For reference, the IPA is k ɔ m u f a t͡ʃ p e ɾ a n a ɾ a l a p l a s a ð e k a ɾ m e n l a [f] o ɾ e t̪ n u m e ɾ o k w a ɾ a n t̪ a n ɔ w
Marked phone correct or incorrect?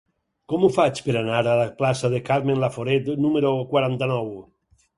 correct